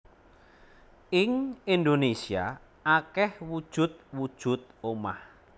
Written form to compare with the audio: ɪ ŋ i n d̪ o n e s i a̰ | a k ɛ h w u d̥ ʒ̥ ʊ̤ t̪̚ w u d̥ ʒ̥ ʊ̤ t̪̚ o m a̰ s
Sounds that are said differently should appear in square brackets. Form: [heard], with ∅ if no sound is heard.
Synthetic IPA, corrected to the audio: ɪ ŋ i n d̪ o n e s i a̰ | a k ɛ h w u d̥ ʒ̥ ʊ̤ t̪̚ w u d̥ ʒ̥ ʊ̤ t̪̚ o m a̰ [h]

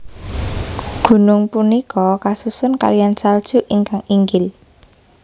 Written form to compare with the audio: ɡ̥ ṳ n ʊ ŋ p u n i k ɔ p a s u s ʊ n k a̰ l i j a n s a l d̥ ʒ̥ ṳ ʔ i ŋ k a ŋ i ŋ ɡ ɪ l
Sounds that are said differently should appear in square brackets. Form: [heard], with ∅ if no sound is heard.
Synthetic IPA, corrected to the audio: ɡ̥ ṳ n ʊ ŋ p u n i k ɔ [k] a s u s ʊ n k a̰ l i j a n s a l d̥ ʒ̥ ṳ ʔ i ŋ k a ŋ i ŋ ɡ ɪ l

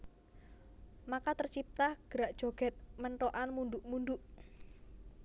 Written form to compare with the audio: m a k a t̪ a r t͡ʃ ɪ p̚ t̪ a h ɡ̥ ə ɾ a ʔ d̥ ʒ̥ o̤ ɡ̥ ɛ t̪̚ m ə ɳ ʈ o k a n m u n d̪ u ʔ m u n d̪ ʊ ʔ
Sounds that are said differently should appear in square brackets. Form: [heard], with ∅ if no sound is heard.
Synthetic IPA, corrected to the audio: m a k a t̪ [ə] r t͡ʃ [i] p̚ t̪ a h ɡ̥ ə ɾ a ʔ d̥ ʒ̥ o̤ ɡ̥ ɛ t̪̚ m ə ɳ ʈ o [ʔ] a n m u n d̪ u ʔ m u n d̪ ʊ ʔ

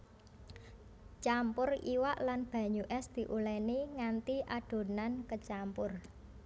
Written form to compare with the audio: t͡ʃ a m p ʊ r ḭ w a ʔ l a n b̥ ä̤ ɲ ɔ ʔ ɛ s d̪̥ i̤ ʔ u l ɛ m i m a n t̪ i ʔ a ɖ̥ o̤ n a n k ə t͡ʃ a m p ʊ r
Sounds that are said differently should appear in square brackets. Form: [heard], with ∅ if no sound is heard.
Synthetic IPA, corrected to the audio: t͡ʃ a m p ʊ r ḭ w a ʔ l a n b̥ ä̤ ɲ [u] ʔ ɛ s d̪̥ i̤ ʔ u l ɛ [n] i [ŋ] a n t̪ i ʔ a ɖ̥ o̤ n a n k ə t͡ʃ a m p ʊ r

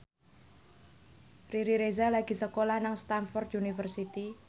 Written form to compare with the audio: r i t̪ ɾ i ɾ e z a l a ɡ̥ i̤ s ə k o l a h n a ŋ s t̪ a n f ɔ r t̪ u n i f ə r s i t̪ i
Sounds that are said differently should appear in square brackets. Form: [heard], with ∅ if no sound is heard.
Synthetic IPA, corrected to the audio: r i [∅] ɾ i ɾ e z a l a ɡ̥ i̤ s ə k o l a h n a ŋ s t̪ a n f ɔ r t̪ u n i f ə r s i t̪ i

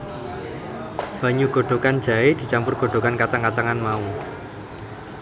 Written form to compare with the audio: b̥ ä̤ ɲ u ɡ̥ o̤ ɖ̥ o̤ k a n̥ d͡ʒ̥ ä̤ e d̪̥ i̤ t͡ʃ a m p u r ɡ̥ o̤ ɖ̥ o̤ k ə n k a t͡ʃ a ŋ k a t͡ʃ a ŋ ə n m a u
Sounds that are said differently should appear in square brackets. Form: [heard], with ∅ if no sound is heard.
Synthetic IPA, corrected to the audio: b̥ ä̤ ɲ u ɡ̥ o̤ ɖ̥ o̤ k a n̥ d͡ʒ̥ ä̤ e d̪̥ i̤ t͡ʃ a m p [ʊ] r ɡ̥ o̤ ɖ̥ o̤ k [a] n k a t͡ʃ a ŋ k a t͡ʃ a ŋ [a] n m a u

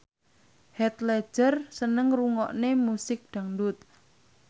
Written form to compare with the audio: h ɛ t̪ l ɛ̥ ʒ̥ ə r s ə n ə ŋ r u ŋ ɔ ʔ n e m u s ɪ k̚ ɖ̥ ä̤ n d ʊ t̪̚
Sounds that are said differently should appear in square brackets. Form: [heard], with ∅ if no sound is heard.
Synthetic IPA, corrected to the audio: h ɛ t̪ l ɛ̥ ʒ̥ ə r s ə n ə ŋ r u ŋ ɔ ʔ n e m u s ɪ k̚ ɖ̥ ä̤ [ŋ] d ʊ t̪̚

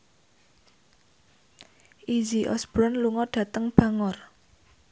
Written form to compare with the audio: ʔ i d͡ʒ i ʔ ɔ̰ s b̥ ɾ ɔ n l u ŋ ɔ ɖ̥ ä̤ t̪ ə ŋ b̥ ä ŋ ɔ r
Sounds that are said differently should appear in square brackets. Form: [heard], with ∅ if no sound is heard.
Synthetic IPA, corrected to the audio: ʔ i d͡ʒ i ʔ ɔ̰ s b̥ ɾ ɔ n l u ŋ ɔ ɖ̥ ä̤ t̪ ə ŋ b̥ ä ŋ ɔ r

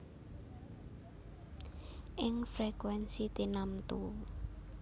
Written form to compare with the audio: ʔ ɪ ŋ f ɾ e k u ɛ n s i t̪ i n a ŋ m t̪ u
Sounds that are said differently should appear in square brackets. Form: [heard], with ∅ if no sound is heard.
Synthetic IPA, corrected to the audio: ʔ ɪ ŋ f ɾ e k [w] ɛ n s i t̪ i n a [∅] m t̪ u

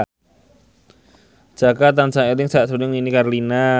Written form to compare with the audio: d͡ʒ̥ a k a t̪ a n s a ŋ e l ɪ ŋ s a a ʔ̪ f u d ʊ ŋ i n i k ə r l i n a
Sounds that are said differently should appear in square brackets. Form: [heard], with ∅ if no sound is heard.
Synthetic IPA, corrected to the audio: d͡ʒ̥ a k a t̪ a n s a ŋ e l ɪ ŋ s a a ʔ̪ [s] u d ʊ ŋ i n i k [a] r l i n a

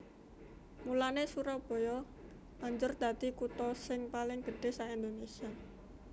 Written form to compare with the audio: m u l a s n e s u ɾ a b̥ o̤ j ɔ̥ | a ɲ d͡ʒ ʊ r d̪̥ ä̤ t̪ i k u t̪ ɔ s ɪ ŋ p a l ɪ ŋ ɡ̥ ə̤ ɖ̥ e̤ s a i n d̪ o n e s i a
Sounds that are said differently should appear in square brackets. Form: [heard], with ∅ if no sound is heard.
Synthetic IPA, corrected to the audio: m u l a [∅] n e s u ɾ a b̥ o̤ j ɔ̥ | a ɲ d͡ʒ ʊ r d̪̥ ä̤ t̪ i k u t̪ ɔ s ɪ ŋ p a l ɪ ŋ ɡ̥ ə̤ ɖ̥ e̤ s a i n d̪ o n e s i a

